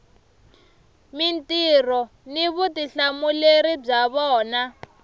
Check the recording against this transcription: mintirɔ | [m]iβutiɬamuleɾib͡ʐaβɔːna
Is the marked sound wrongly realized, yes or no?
yes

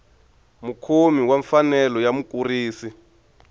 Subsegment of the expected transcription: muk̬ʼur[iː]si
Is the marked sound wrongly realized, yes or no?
no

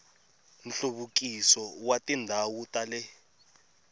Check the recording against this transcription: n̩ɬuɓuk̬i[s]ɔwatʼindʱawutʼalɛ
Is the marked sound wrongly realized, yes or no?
no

